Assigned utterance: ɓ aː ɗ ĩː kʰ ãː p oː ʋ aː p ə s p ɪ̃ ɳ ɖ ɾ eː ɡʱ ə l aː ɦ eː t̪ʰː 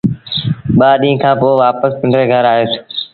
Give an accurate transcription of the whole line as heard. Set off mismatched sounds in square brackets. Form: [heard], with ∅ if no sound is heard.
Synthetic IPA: ɓ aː ɗ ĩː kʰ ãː p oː ʋ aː p ə s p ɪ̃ ɳ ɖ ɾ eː ɡʱ ə [ɾ] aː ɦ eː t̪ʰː